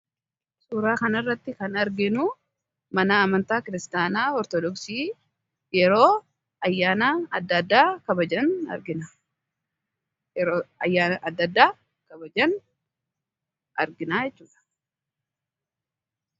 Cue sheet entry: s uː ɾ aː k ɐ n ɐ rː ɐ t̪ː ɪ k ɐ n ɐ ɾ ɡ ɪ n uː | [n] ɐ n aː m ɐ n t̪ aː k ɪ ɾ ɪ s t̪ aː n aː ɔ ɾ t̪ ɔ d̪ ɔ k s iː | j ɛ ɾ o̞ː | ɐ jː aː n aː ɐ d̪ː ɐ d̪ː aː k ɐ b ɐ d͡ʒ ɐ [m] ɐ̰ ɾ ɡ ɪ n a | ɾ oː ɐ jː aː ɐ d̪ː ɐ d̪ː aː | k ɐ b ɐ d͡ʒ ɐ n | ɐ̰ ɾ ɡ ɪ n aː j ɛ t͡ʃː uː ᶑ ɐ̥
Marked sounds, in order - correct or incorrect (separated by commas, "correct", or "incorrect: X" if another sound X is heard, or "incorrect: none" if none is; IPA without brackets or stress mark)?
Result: incorrect: m, incorrect: n